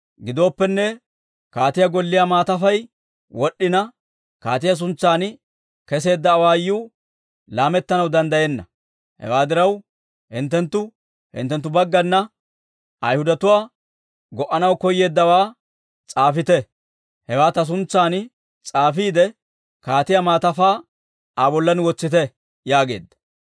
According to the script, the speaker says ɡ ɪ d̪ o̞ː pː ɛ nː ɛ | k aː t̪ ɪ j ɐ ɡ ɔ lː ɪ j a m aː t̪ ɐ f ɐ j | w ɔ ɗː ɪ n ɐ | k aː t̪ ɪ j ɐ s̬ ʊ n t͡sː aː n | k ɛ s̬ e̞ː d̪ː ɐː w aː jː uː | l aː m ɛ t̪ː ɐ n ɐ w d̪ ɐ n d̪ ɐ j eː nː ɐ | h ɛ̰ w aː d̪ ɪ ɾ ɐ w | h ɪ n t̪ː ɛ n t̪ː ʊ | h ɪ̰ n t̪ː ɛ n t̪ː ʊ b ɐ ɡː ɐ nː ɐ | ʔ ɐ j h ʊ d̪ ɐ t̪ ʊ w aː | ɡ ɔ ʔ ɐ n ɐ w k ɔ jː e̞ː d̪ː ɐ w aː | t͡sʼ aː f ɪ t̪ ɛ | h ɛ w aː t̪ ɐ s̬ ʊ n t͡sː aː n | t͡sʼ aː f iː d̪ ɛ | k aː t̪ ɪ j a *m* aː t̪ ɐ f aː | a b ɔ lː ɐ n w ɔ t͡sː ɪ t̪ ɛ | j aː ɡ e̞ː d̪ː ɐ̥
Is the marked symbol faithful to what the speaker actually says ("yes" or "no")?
yes